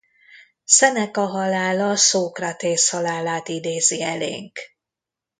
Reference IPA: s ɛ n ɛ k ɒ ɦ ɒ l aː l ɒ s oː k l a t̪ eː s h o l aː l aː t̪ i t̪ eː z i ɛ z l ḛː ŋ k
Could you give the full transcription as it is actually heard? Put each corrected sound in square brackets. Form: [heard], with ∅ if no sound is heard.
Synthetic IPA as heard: s ɛ n ɛ k ɒ ɦ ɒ l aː l ɒ s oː k [r] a t̪ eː s h [ɒ] l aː l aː t̪ i [d̪] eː z i ɛ [∅] l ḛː ŋ k

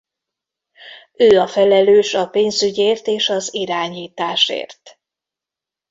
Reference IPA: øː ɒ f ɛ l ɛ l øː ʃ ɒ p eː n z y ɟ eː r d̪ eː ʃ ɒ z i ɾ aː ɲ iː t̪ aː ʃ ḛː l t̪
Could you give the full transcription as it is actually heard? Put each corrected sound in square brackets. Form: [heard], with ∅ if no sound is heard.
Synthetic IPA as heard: øː ɒ f ɛ l ɛ l øː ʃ ɒ p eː n z y ɟ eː r [t̪] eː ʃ ɒ z i ɾ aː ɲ iː t̪ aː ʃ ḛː [r] t̪

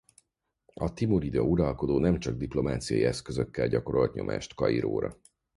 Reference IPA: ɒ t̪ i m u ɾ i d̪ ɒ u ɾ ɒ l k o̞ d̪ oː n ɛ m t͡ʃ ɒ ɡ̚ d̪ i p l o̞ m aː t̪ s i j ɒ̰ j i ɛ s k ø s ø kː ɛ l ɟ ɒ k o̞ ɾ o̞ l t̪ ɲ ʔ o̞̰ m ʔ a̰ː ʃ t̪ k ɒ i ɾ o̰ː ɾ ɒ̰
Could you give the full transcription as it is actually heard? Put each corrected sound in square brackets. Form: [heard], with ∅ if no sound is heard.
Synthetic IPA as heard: ɒ t̪ i m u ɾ i d̪ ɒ u ɾ ɒ l k o̞ d̪ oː n ɛ m t͡ʃ ɒ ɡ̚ d̪ i p l o̞ m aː t̪ s i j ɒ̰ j i ɛ s k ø [z] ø kː ɛ l ɟ ɒ k o̞ ɾ o̞ l t̪ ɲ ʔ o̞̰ m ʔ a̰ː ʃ t̪ k ɒ i ɾ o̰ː ɾ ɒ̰

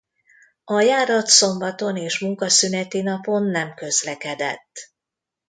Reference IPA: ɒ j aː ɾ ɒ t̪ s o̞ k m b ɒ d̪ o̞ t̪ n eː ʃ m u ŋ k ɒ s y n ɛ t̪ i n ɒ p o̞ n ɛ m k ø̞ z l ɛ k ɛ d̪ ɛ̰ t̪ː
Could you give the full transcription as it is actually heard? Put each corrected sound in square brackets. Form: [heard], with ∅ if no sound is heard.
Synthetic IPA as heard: ɒ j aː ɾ ɒ t̪ s o̞ [∅] m b ɒ [t̪] o̞ [∅] n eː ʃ m u ŋ k ɒ s y n ɛ t̪ i n ɒ p o̞ [nː] ɛ m k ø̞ z l ɛ k ɛ d̪ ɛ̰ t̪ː

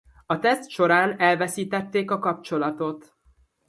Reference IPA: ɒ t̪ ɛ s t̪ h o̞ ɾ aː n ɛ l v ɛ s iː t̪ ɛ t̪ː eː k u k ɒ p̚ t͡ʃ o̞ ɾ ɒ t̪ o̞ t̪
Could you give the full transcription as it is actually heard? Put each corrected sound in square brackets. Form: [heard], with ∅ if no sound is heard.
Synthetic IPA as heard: ɒ t̪ ɛ s t̪ [ʃ] o̞ ɾ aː n ɛ l v ɛ s iː t̪ ɛ t̪ː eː k [ɒ] k ɒ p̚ t͡ʃ o̞ [l] ɒ t̪ o̞ t̪

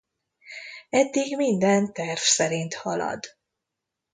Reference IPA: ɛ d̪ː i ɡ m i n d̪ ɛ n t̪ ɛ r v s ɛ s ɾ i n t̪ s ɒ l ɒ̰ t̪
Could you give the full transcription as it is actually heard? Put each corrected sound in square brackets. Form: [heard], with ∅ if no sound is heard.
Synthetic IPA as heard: ɛ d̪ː i ɡ m i n d̪ ɛ n t̪ ɛ r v s ɛ [∅] ɾ i n t̪ [h] ɒ l ɒ̰ [d̪]

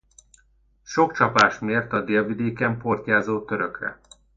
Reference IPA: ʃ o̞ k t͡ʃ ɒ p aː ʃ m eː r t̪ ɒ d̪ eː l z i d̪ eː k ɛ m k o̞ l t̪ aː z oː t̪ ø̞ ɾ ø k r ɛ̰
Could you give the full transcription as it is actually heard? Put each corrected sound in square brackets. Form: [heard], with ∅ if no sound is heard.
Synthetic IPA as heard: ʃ o̞ k t͡ʃ ɒ p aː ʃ m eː r t̪ ɒ d̪ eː l [v] i d̪ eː k ɛ m [p] o̞ [r] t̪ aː z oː t̪ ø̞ ɾ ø k r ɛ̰

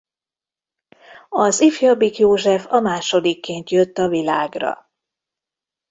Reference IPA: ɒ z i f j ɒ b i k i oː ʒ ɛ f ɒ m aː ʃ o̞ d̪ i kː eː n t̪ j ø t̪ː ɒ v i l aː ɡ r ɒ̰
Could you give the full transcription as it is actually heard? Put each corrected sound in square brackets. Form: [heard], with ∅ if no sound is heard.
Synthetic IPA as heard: ɒ z i f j ɒ b i k [j] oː ʒ ɛ f ɒ m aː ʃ o̞ d̪ i kː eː n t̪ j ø t̪ː ɒ v i l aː ɡ r ɒ̰

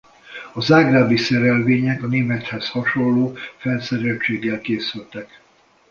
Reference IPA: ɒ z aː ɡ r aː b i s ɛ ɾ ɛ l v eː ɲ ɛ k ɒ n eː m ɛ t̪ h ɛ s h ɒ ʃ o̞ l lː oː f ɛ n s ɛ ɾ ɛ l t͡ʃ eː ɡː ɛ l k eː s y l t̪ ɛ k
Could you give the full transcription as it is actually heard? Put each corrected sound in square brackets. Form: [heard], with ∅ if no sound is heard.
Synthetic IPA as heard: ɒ z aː ɡ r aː b i s ɛ ɾ ɛ l v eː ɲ ɛ k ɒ n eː m ɛ t̪ h ɛ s h ɒ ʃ o̞ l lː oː f ɛ n s ɛ ɾ ɛ l t͡ʃ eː ɡː ɛ l k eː s y l t̪ ɛ k

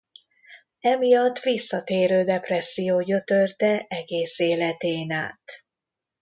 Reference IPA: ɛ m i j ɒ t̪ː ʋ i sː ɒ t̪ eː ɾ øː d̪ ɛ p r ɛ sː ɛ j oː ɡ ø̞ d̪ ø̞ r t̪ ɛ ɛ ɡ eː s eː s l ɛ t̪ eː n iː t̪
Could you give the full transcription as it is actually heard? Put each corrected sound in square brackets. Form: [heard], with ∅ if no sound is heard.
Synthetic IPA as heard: ɛ m i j ɒ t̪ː ʋ i sː ɒ t̪ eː ɾ øː d̪ ɛ p r ɛ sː [i] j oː [ɟ] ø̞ [t̪] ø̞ r t̪ ɛ ɛ ɡ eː s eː [∅] l ɛ t̪ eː n [aː] t̪

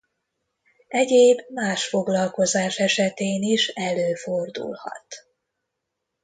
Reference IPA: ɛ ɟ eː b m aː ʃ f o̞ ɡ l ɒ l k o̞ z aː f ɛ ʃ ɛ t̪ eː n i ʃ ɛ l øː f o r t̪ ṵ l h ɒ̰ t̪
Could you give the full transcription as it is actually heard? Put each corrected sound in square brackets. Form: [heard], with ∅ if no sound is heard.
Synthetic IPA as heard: ɛ ɟ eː b m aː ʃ f o̞ ɡ l ɒ l k o̞ z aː [ʃ] ɛ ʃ ɛ t̪ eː n i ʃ ɛ l øː f o r [d̪] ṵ l h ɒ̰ t̪

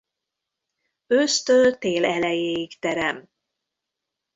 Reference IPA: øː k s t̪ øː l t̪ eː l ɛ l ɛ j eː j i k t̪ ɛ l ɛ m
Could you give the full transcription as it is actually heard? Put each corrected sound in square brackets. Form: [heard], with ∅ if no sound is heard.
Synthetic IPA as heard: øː [∅] s t̪ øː l t̪ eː l ɛ l ɛ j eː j i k t̪ ɛ [ɾ] ɛ m

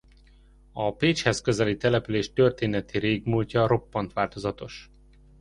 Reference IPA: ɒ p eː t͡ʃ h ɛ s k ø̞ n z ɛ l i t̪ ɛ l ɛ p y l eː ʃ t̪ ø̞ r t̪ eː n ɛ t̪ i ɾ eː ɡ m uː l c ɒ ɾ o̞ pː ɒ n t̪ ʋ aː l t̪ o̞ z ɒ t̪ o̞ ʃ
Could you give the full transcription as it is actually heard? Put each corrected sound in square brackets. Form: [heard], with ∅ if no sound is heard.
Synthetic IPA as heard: ɒ p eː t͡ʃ h ɛ s k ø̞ [∅] z ɛ l i t̪ ɛ l ɛ p y l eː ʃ t̪ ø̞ r t̪ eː n ɛ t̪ i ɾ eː ɡ m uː l c ɒ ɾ o̞ pː ɒ n t̪ ʋ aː l t̪ o̞ z ɒ t̪ o̞ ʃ

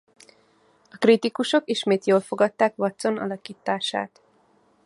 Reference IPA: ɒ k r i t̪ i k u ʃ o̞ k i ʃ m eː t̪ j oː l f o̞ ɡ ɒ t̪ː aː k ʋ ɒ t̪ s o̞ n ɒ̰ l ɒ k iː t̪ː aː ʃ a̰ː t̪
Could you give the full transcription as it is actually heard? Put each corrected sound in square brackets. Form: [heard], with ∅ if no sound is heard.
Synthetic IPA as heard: ɒ k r i t̪ i k u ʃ o̞ k i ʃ m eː t̪ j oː l f o̞ ɡ ɒ t̪ː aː k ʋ ɒ t̪ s o̞ n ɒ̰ l ɒ k iː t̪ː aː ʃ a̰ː t̪

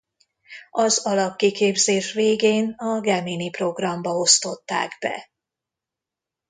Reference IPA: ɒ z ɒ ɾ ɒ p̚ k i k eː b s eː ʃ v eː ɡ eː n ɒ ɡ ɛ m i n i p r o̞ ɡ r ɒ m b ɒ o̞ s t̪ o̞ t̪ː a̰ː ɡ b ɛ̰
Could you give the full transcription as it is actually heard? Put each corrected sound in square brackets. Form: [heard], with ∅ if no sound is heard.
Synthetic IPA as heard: ɒ z ɒ [l] ɒ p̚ k i k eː b [z] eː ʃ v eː ɡ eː n ɒ ɡ ɛ m i n i p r o̞ ɡ r ɒ m b ɒ o̞ s t̪ o̞ t̪ː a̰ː ɡ b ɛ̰

